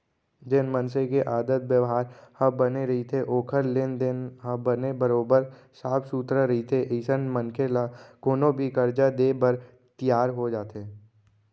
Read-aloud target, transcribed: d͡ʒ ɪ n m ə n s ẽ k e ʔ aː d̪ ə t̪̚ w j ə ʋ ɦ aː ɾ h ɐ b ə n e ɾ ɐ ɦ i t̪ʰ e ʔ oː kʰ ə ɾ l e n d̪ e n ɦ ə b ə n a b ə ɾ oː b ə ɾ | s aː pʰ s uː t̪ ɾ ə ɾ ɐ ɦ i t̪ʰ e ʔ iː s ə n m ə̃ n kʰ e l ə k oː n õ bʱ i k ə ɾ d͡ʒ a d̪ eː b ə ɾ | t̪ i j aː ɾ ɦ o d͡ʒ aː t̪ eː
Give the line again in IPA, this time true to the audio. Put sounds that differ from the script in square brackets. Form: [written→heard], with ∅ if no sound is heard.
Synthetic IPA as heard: d͡ʒ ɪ n m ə n s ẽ k e ʔ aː d̪ ə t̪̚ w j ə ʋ ɦ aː ɾ h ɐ b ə n e ɾ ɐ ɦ i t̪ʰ e ʔ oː kʰ ə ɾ l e n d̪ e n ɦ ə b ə n [a→e] b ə ɾ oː b ə ɾ | s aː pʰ s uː t̪ ɾ ə ɾ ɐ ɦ i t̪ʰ e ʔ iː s ə n m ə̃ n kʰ e l [ə→a] k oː n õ bʱ i k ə ɾ d͡ʒ a d̪ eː b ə ɾ | t̪ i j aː ɾ ɦ o d͡ʒ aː t̪ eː